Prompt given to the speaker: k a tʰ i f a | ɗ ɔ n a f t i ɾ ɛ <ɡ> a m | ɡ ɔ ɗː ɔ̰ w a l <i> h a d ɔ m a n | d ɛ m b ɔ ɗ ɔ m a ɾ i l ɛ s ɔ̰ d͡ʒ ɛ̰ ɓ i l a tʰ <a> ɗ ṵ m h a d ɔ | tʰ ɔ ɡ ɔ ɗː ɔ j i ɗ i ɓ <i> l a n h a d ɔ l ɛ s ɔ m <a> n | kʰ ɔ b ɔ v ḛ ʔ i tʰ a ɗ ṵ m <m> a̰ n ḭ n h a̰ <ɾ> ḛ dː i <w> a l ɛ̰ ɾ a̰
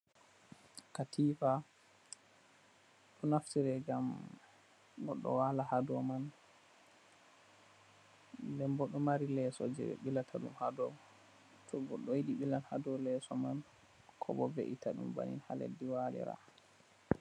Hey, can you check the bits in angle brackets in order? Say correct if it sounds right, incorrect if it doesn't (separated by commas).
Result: correct, incorrect, correct, correct, correct, incorrect, incorrect, correct